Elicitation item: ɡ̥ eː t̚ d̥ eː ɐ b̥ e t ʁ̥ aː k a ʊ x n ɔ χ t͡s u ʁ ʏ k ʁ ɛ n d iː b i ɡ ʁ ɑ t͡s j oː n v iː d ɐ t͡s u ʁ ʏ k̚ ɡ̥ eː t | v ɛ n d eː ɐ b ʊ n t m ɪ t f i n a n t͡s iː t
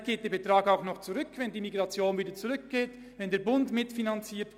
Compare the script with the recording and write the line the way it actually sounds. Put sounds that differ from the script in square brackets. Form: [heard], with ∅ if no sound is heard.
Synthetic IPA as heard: ɡ̥ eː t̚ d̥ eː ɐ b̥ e t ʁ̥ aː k a ʊ x n ɔ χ t͡s u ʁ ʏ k [v] ɛ n d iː [m] i ɡ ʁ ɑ t͡s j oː n v iː d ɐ t͡s u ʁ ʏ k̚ ɡ̥ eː t | v ɛ n d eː ɐ b ʊ n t m ɪ t f i n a n t͡s iː t